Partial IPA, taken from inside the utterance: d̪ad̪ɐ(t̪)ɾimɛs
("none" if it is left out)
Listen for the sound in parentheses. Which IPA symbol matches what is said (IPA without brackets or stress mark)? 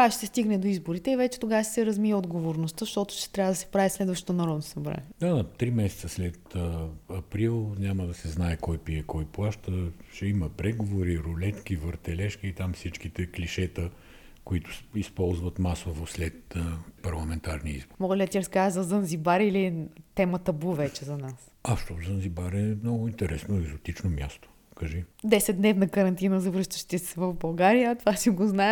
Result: t̪